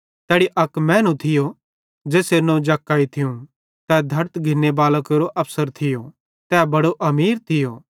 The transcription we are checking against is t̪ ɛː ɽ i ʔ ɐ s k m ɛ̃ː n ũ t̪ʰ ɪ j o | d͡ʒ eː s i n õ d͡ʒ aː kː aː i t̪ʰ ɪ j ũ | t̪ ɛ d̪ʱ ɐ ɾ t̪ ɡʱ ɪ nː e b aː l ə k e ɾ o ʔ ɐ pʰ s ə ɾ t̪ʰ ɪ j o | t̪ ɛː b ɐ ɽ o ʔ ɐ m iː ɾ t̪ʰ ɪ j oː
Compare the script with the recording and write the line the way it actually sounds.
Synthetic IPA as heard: t̪ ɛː ɽ i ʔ ɐ k m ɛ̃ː n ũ t̪ʰ ɪ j o | d͡ʒ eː s e n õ d͡ʒ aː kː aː i t̪ʰ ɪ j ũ | t̪ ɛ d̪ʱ ɐ ɾ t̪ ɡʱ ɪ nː e b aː l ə k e ɾ o ʔ ɐ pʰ s ə ɾ t̪ʰ ɪ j o | t̪ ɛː b ɐ ɽ o ʔ ɐ m iː ɾ t̪ʰ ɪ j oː